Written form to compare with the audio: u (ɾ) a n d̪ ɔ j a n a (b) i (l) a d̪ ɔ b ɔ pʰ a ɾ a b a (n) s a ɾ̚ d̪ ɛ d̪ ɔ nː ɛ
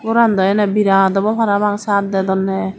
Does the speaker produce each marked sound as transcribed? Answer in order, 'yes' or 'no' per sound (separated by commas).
yes, yes, no, no